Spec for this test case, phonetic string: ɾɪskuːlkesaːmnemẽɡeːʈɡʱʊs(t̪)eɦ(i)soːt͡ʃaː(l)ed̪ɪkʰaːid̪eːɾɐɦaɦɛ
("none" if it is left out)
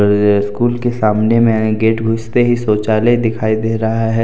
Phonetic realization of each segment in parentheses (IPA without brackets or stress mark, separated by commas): t̪, i, l